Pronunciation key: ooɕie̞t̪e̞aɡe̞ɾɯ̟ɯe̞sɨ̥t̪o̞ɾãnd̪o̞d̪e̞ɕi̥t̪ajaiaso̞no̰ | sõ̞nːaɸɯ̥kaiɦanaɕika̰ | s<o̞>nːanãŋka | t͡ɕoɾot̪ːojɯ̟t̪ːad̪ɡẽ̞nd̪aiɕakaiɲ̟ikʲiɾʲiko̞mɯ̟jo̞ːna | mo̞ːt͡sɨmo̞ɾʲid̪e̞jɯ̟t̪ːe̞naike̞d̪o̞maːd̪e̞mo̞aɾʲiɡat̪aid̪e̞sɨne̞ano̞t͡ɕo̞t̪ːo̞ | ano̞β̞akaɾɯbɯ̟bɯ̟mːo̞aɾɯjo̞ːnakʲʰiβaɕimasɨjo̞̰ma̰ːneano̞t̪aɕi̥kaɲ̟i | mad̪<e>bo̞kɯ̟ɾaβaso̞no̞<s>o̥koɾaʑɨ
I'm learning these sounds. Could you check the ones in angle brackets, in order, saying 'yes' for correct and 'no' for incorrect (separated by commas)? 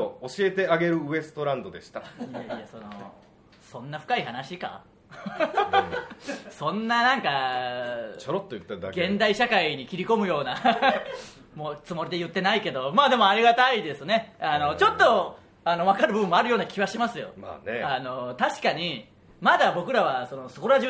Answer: no, no, yes